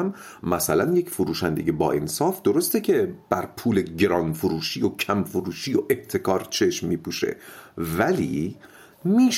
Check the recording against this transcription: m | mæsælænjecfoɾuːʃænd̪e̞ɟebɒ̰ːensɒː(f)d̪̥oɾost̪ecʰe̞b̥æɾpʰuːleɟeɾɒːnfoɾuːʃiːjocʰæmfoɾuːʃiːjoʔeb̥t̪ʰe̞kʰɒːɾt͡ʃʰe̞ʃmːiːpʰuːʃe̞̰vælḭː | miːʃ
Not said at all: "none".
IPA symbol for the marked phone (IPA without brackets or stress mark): f